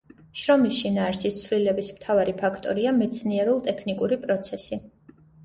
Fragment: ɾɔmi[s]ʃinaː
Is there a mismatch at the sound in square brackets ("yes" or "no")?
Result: no